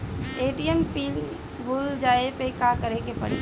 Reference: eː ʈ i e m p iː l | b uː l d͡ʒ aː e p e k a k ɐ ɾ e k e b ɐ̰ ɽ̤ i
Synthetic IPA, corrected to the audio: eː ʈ i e m p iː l | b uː l d͡ʒ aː e p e k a k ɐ ɾ e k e p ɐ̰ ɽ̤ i

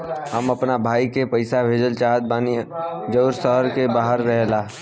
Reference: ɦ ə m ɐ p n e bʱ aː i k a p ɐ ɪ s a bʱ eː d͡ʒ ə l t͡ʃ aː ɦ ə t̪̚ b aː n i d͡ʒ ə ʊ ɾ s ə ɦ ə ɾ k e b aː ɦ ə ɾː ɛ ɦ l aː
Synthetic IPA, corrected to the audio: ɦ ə m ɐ p n a bʱ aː i k e p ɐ ɪ s a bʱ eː d͡ʒ ə l t͡ʃ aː ɦ ə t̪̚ b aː n i d͡ʒ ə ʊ ɾ s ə ɦ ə ɾ k e b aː ɦ ə ɾː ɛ ɦ l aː

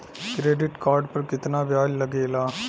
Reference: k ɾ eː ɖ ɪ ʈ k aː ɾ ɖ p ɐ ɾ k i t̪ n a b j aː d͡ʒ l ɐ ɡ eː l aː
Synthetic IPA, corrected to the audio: k ɾ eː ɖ ɪ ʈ k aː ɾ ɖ p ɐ ɾ k ɪ t̪ n a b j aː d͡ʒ l ɐ ɡ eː l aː

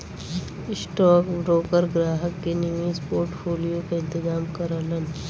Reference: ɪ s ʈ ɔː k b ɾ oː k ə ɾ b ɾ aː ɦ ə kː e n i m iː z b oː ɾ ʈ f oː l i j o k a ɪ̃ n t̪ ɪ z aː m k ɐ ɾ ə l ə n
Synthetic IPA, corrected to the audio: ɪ s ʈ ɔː k b ɾ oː k ə ɾ ɡ ɾ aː ɦ ə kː e n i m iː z p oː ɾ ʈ f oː l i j o k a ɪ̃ n t̪ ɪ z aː m k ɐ ɾ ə l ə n

